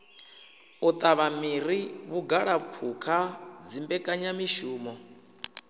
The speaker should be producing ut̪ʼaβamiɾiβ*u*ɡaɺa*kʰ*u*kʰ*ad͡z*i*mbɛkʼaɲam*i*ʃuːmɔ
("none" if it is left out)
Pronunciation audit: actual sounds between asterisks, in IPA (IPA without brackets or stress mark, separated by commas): u, pʰ, kʰ, i, i